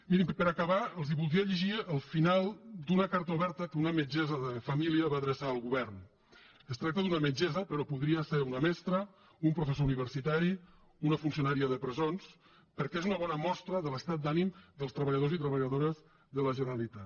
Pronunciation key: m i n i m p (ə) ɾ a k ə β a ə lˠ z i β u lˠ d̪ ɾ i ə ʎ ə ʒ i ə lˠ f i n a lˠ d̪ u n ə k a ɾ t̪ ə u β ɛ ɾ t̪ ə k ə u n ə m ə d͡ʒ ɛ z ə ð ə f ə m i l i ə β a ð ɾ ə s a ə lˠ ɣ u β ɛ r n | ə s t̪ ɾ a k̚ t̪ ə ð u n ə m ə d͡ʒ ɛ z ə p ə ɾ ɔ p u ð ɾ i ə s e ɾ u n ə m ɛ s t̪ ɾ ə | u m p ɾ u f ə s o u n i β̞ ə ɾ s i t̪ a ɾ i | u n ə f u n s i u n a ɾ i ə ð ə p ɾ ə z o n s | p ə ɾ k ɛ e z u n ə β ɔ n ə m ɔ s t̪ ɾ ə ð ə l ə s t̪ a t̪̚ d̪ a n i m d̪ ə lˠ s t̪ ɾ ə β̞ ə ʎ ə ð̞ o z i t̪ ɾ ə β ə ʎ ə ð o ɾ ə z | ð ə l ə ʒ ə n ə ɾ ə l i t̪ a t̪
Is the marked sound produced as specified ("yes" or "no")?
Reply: yes